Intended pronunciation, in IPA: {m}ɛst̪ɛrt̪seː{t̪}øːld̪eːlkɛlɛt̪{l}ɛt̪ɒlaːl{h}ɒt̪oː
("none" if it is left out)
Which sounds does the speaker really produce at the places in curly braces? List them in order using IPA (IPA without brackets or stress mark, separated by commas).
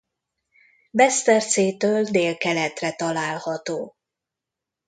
b, t̪, r, h